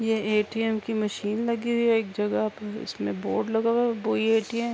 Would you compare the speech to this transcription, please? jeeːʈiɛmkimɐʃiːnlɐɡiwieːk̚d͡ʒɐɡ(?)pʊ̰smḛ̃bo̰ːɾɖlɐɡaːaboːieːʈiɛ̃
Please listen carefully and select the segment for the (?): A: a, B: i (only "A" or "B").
A